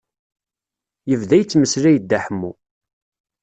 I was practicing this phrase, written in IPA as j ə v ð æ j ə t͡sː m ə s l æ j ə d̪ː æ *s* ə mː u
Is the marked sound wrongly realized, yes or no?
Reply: yes